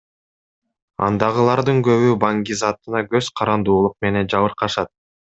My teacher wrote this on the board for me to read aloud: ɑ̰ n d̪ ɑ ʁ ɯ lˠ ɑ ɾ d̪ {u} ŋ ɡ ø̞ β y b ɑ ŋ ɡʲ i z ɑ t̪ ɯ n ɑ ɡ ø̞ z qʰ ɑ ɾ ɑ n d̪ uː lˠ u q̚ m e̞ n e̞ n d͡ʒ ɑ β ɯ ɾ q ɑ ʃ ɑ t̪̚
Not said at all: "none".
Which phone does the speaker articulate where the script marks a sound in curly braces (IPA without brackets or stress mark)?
ɯ